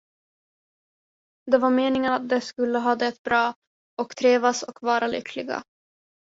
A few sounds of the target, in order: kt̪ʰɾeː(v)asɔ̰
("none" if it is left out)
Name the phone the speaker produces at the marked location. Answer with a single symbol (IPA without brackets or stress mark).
v